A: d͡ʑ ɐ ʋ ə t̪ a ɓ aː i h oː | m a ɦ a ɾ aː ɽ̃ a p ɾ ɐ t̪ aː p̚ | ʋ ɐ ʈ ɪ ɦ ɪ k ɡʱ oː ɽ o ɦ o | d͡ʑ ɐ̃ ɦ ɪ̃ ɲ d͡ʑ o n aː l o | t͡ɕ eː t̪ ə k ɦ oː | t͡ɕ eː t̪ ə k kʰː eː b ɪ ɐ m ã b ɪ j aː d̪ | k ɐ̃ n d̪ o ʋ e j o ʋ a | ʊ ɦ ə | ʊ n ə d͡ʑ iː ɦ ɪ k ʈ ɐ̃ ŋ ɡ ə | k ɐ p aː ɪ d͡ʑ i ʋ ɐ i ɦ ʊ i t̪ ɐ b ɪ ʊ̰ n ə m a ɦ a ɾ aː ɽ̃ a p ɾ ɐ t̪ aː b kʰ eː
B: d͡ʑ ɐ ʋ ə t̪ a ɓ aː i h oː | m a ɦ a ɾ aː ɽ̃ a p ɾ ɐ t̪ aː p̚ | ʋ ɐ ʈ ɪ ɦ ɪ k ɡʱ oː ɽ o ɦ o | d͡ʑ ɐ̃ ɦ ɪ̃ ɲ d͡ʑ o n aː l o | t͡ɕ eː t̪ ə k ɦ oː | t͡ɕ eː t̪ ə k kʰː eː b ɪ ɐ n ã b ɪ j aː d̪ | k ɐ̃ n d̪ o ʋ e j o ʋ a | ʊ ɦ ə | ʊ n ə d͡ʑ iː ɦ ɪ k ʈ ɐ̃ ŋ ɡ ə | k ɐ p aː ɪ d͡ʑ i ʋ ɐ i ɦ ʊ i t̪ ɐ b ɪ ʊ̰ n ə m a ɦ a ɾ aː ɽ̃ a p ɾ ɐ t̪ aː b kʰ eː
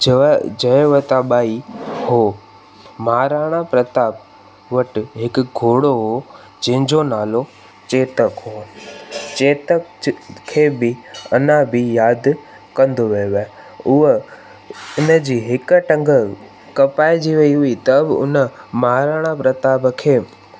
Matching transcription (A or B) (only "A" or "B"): B